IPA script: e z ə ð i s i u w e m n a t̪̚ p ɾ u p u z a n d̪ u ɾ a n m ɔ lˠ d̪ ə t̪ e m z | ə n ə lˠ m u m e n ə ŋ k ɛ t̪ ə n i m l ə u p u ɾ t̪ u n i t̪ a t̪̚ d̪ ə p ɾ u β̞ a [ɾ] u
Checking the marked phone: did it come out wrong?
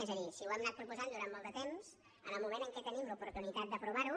no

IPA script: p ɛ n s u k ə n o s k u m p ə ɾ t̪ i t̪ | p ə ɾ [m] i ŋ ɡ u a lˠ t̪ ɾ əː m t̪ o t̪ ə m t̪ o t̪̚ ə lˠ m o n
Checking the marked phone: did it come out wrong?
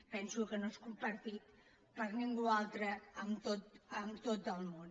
yes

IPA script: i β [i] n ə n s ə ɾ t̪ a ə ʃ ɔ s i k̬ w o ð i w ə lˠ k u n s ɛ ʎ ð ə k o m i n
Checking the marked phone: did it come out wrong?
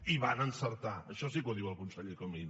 yes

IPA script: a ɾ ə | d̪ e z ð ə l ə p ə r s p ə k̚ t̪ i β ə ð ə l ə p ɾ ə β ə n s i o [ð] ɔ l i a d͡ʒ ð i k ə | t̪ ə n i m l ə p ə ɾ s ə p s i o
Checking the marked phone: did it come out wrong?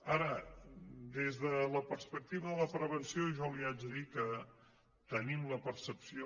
yes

